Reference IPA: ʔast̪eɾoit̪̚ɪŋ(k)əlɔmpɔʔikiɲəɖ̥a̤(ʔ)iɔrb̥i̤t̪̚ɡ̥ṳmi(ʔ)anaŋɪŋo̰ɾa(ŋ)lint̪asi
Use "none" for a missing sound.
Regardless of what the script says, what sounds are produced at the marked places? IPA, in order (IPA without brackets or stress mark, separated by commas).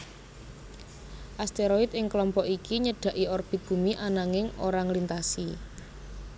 k, ʔ, ʔ, ŋ